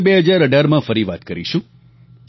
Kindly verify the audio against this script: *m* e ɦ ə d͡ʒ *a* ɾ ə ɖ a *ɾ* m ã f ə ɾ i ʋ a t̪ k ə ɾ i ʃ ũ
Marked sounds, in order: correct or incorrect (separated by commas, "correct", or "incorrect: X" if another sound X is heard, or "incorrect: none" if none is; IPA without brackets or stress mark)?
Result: incorrect: b, correct, correct